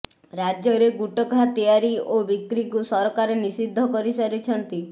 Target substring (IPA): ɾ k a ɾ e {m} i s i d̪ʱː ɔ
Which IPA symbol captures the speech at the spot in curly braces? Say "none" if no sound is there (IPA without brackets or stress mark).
n